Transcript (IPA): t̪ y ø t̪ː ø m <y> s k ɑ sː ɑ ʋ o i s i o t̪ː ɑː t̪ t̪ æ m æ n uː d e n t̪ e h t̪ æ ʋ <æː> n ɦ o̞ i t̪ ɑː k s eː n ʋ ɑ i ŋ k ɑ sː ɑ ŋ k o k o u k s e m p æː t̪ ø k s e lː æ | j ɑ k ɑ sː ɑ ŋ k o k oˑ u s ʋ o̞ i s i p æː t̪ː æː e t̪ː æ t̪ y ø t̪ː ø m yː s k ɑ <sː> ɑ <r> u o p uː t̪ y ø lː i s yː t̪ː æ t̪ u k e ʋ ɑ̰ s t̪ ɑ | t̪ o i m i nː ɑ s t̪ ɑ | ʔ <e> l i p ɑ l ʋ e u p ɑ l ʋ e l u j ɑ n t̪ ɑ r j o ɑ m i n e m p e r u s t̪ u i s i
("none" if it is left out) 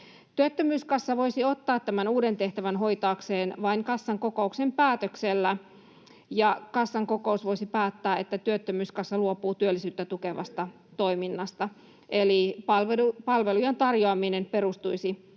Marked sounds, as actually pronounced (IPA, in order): yː, æ, sː, l, e

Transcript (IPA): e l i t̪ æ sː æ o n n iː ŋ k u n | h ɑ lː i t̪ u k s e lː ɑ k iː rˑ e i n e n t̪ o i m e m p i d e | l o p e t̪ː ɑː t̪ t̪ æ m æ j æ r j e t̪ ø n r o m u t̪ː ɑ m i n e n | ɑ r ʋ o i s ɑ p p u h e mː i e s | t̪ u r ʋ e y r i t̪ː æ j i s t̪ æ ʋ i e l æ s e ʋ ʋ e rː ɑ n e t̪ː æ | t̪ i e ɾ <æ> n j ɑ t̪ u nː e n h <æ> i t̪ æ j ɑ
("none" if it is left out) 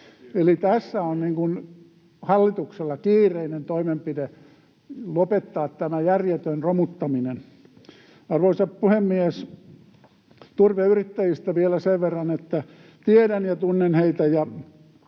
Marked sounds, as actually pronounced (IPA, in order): æ, e

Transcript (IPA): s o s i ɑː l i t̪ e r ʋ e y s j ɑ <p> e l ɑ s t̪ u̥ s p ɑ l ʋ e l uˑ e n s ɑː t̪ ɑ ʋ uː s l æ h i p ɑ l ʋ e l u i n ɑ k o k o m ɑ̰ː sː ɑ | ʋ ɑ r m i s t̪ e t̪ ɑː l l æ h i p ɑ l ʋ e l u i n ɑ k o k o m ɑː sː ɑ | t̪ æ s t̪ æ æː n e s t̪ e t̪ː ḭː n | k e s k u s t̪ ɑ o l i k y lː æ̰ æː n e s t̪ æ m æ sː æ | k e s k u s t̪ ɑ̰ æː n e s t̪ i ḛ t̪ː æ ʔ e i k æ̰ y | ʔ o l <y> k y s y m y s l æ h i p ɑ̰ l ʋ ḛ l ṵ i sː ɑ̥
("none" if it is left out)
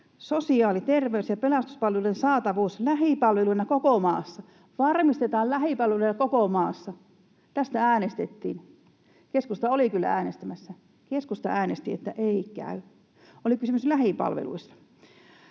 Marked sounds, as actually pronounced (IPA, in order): p, i

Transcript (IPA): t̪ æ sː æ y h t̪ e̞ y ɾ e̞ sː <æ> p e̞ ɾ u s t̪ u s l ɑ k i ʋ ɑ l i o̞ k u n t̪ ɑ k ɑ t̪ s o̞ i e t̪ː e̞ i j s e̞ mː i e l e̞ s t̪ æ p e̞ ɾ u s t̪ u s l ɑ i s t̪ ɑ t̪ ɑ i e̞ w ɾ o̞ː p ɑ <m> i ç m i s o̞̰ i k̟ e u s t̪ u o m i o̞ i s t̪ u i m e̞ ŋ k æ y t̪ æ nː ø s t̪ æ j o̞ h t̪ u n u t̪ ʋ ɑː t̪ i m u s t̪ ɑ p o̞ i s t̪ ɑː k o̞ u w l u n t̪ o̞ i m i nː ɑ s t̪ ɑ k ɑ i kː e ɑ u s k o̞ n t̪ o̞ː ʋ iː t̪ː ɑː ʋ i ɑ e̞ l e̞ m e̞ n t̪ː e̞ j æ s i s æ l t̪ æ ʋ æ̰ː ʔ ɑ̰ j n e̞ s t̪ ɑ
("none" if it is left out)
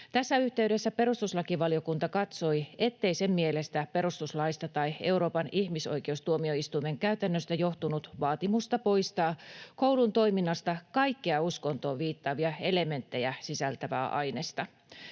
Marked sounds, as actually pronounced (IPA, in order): æ, n

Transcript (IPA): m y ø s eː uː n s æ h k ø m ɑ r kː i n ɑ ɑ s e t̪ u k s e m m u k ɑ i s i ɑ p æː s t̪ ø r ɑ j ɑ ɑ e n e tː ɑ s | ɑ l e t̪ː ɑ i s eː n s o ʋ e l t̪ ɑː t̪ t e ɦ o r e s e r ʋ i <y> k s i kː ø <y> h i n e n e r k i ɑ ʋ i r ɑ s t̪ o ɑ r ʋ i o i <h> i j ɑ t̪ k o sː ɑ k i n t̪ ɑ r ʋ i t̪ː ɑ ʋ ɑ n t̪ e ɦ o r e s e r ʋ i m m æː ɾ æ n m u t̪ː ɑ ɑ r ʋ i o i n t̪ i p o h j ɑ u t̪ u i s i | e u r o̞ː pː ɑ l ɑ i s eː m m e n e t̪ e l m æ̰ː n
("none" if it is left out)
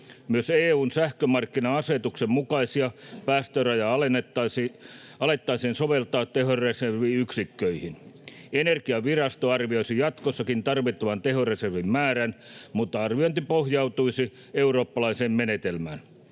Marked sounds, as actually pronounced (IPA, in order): y, i, s

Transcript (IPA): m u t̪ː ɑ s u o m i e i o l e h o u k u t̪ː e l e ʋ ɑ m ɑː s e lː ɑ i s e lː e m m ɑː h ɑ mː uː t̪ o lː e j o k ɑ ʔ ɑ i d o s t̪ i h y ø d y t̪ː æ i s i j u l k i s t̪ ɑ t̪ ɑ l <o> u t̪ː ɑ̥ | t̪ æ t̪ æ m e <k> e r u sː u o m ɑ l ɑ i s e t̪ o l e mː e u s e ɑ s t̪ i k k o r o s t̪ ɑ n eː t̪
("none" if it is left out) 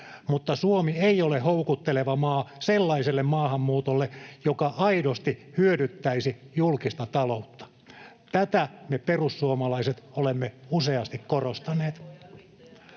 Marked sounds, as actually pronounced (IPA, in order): o, p

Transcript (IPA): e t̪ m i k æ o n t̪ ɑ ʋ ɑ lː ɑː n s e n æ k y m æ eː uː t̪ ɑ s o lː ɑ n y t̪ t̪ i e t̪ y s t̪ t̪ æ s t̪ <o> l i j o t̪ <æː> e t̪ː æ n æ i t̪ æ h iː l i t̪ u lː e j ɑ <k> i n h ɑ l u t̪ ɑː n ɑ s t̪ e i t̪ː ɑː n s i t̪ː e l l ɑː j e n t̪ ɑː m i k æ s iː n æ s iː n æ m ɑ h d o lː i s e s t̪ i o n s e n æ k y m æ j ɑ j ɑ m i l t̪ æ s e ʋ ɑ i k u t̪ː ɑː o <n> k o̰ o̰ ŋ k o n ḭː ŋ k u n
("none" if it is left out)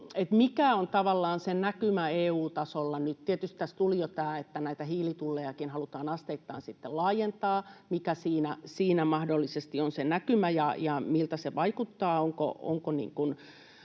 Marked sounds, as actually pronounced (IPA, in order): u, æː, k, ŋ

